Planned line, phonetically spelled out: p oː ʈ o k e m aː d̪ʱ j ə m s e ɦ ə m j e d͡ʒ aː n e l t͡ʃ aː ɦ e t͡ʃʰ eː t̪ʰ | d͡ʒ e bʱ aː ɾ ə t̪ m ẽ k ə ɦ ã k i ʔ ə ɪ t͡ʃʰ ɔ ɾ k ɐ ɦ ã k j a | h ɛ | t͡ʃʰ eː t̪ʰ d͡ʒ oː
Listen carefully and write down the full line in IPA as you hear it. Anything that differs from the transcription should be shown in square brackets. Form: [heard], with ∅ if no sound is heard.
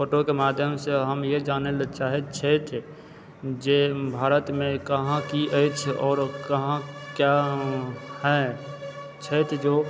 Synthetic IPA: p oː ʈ o k e m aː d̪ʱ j ə m s e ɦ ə m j e d͡ʒ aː n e l t͡ʃ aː ɦ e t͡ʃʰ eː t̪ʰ | d͡ʒ e bʱ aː ɾ ə t̪ m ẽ k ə ɦ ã k i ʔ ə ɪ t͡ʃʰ [ɔː] ɾ k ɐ ɦ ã k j a | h ɛ | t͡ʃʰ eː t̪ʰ d͡ʒ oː

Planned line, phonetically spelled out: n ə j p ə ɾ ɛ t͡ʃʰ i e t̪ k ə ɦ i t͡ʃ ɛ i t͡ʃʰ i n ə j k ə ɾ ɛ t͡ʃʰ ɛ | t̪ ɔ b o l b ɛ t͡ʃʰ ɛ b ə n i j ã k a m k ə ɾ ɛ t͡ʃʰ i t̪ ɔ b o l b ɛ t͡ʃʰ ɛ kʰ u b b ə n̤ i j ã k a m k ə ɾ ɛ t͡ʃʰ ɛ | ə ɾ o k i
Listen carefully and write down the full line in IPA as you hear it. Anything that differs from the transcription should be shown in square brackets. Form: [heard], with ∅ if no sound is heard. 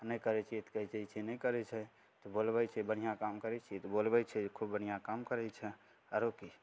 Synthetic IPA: n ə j [k] ə ɾ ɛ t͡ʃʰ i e t̪ k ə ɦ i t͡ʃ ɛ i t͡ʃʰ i n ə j k ə ɾ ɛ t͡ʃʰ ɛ | t̪ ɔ b o l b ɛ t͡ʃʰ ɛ b ə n i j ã k a m k ə ɾ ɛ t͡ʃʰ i t̪ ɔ b o l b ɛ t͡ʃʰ ɛ kʰ u b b ə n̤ i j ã k a m k ə ɾ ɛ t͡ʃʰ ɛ | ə ɾ o k i

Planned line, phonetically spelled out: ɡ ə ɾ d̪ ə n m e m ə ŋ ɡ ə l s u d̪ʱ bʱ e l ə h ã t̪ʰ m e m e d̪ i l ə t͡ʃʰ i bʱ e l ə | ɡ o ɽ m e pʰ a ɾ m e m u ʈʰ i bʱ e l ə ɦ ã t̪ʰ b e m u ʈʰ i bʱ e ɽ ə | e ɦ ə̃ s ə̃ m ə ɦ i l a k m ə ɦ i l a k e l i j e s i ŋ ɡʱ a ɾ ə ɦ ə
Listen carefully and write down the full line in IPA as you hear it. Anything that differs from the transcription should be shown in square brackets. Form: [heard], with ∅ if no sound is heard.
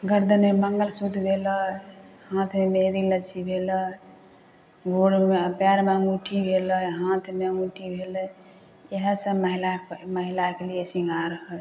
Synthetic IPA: ɡ ə ɾ d̪ ə n m e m ə ŋ ɡ ə l s u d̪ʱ bʱ e l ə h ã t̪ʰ m e m e d̪ i l ə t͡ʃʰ i bʱ e l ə | ɡ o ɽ m e [p] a ɾ m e m u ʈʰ i bʱ e l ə ɦ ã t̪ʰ [m] e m u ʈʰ i bʱ e [l] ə | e ɦ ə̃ s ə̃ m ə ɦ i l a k m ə ɦ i l a k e l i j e s i ŋ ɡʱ a ɾ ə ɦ ə

